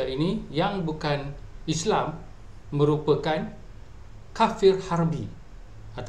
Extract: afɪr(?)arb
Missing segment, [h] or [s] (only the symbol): h